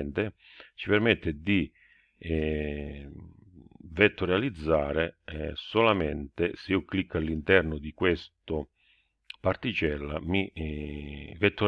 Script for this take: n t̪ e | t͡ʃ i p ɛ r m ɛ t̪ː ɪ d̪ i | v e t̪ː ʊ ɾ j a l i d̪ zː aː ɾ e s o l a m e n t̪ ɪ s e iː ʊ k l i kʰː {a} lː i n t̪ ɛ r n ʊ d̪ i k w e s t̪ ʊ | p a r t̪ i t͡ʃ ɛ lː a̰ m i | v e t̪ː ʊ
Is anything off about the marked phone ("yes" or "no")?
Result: no